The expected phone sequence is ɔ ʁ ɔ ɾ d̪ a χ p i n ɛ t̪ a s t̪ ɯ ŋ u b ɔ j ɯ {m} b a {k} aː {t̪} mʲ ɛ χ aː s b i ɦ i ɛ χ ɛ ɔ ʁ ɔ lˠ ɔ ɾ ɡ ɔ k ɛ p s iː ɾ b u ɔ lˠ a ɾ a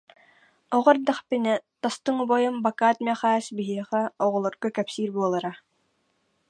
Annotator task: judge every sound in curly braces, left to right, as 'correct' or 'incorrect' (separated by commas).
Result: correct, correct, correct